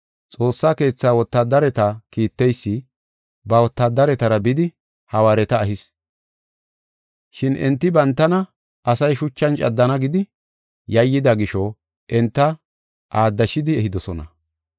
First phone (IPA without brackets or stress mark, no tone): t͡sʼ